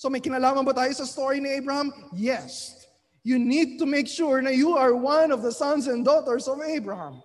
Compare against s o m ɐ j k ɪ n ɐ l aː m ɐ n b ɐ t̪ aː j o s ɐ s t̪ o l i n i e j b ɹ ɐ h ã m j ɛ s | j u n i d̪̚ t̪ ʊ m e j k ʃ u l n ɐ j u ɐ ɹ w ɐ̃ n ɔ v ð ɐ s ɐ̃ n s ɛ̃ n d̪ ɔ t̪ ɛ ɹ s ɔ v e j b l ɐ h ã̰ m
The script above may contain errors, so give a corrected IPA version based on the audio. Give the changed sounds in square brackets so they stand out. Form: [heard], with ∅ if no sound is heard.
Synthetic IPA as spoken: s o m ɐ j k ɪ n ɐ l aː m ɐ n b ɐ t̪ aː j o s ɐ s t̪ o [ɹ] i n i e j b ɹ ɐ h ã m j ɛ s | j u n i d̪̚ t̪ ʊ m e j k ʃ u [ɹ] n ɐ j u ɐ ɹ w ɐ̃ n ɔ v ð ɐ s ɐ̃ n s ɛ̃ n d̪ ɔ t̪ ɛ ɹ s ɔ v e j b [ɹ] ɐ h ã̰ m